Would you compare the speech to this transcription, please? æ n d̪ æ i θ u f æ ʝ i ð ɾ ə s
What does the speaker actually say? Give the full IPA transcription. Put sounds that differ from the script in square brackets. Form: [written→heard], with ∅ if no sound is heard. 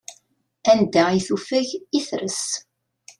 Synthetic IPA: æ n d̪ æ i θ u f æ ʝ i [ð→θ] ɾ ə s